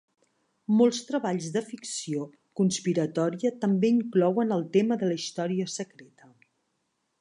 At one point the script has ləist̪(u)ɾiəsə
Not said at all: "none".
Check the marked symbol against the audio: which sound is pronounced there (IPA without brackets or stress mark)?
ɔ